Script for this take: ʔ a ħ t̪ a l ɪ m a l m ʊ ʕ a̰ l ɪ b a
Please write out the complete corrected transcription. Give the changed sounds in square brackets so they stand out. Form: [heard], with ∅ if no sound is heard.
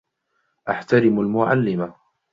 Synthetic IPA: ʔ a ħ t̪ a [ɾ] ɪ m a l m ʊ ʕ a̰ [lː] ɪ [m] a